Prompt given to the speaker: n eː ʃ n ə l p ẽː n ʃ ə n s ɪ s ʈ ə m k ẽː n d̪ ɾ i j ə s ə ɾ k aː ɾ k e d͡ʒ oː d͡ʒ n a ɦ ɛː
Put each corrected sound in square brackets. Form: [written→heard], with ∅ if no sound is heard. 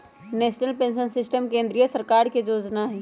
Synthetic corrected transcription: n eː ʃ n ə l p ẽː n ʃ ə n s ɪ s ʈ ə m k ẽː n d̪ ɾ i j ə s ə ɾ k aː ɾ k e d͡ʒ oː d͡ʒ n a ɦ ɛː